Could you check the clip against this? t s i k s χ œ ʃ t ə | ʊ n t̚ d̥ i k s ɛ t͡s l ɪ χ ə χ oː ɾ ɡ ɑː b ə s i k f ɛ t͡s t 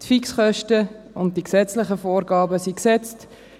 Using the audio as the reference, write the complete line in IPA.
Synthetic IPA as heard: t f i k s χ œ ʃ t ə | ʊ n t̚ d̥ i k s ɛ t͡s l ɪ χ ə f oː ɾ ɡ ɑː b ə s i k s ɛ t͡s t